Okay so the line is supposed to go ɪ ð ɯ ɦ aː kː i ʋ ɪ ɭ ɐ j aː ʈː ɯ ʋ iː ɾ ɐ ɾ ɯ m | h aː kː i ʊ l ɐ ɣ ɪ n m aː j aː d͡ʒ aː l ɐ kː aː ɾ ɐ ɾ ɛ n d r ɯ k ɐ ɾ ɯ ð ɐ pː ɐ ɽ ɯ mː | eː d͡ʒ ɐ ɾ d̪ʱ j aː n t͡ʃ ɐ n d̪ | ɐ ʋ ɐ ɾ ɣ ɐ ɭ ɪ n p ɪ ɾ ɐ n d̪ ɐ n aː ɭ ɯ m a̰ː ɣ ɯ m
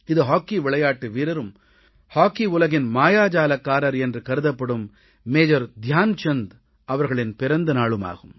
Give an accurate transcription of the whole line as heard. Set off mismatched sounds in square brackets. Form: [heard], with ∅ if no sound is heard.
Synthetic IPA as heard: ɪ ð ɯ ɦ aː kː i ʋ ɪ ɭ ɐ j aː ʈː ɯ ʋ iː ɾ ɐ ɾ ɯ m | h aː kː i ʊ l ɐ ɣ ɪ n m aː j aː d͡ʒ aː l ɐ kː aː ɾ ɐ ɾ ɛ n d r ɯ k ɐ ɾ ɯ ð ɐ pː ɐ ɽ ɯ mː | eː d͡ʒ ɐ ɾ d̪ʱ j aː n t͡ʃ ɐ n d̪ | ɐ ʋ ɐ ɾ ɣ ɐ ɭ ɪ n p ɪ ɾ ɐ n d̪ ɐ n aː ɭ ɯ m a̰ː ɣ ɯ m